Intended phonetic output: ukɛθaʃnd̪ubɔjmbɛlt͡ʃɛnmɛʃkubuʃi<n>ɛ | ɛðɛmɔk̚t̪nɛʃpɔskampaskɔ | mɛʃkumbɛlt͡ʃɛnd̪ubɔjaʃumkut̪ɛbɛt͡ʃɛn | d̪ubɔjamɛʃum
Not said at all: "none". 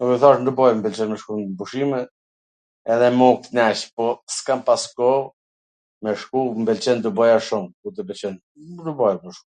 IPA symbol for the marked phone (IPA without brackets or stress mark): m